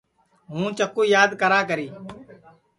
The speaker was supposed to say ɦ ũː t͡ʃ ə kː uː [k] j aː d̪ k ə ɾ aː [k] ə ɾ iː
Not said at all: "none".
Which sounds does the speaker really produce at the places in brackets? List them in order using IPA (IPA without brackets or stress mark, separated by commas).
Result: none, k